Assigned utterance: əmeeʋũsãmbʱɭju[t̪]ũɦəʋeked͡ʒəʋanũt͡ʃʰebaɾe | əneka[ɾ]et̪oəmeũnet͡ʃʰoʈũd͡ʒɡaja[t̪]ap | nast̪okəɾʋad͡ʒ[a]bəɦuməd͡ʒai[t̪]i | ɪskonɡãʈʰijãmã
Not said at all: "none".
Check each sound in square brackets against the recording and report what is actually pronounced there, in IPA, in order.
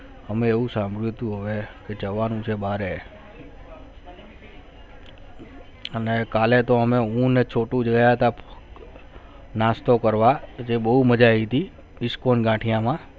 t̪, l, t̪, e, t̪

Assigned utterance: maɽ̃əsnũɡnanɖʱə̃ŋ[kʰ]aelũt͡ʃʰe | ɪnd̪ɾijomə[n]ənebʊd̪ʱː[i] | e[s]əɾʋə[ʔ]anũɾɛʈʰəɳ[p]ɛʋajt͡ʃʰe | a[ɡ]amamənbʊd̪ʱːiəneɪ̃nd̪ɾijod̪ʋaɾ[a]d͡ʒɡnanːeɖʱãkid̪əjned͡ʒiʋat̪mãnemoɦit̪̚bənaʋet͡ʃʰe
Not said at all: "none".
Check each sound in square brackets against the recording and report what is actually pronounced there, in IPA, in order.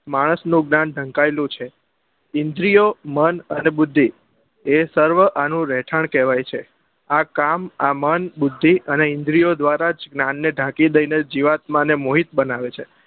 k, n, i, s, ʔ, k, k, a

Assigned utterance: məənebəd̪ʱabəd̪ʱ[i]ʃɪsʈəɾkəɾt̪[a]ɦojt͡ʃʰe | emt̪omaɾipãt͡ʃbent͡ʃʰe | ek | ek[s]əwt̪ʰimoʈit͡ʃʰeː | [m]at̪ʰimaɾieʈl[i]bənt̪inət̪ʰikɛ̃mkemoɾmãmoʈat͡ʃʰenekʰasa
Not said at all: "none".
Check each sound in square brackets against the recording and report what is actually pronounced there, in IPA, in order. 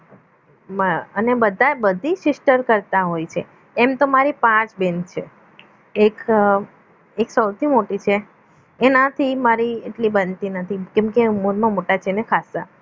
i, a, s, n, i

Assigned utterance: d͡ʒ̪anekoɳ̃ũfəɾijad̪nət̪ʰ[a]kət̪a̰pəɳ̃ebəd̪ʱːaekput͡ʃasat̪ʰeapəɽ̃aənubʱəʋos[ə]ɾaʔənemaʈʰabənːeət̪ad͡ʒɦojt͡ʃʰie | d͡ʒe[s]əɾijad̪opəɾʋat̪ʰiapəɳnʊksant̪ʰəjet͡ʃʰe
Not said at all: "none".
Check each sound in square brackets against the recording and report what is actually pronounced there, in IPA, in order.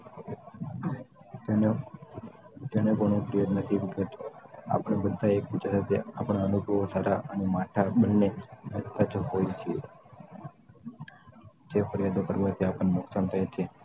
i, a, f

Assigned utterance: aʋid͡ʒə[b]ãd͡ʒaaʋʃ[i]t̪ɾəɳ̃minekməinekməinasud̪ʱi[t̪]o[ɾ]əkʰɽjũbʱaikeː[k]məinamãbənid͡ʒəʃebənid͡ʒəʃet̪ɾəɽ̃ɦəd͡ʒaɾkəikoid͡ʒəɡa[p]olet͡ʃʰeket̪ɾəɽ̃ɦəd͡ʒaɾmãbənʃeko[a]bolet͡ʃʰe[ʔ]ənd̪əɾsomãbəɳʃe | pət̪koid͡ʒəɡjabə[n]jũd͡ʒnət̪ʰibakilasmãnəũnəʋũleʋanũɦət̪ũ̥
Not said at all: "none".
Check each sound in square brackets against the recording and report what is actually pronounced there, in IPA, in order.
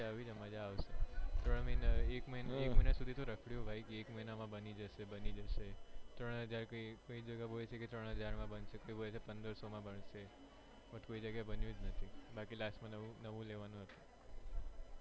m, e, t̪, ɾ, k, b, i, p, n

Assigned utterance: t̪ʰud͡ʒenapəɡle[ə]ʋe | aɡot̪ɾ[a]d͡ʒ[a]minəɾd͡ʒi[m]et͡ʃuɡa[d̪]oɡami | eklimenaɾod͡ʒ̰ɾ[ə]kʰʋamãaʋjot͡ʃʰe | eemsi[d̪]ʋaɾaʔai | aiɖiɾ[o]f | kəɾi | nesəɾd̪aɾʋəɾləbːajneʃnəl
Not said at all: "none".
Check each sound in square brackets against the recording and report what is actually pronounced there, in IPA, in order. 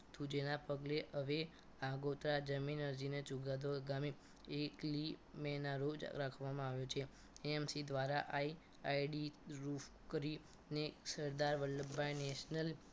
ə, a, ə, n, d̪, a, d̪, u

